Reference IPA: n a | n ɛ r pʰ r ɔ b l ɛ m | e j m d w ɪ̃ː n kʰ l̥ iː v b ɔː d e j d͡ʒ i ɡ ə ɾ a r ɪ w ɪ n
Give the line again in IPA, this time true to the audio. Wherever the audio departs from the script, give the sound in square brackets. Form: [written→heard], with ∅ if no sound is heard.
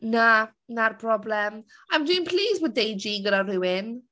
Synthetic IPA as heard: n a | n [ɛ→a] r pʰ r ɔ b l ɛ m | [e→a] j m d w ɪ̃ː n [kʰ→pʰ] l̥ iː [v→z] b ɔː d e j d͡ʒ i ɡ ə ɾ a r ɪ w ɪ n